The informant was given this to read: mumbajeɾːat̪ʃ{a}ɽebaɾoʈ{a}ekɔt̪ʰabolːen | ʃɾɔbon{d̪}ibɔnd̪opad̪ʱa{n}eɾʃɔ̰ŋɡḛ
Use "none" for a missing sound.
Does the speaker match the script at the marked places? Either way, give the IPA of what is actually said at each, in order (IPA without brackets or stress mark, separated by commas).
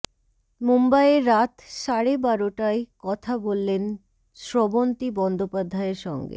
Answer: a, a, t̪, none